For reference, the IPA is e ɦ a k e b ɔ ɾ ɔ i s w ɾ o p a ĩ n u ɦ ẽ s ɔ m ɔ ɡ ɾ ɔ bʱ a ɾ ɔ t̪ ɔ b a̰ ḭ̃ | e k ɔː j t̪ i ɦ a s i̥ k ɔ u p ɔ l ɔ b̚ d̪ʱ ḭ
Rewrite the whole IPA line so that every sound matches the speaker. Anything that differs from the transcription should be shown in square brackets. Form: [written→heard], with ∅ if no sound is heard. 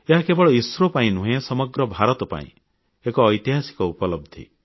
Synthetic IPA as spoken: e ɦ a k e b ɔ [ɾ→ɭ] ɔ i s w ɾ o p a ĩ n u ɦ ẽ s ɔ m ɔ ɡ ɾ ɔ bʱ a ɾ ɔ t̪ ɔ [b→p] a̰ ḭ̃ | e k ɔː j t̪ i ɦ a s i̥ k ɔ u p ɔ l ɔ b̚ d̪ʱ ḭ